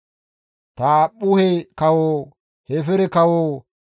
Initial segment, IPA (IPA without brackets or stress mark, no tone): t̪